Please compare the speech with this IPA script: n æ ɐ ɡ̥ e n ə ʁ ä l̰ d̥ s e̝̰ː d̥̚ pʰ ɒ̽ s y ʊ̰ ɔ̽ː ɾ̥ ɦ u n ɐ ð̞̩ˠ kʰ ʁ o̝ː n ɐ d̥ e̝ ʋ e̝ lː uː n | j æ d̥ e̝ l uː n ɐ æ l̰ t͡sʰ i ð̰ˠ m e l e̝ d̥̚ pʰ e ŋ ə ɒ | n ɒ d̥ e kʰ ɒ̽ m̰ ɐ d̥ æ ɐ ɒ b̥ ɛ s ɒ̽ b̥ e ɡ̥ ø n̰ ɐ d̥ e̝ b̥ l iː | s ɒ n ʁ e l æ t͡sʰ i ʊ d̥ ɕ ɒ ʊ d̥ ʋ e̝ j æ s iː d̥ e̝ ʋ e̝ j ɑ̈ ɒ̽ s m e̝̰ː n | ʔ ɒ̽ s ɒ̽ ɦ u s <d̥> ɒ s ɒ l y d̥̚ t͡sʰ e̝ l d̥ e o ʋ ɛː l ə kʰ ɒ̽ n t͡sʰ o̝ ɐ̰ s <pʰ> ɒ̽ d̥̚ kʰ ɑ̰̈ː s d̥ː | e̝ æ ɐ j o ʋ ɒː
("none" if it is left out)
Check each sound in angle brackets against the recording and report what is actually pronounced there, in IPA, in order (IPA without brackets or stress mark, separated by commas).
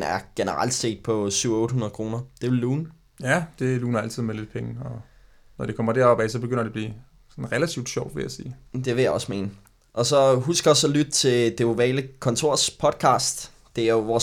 ɡ̥, pʰ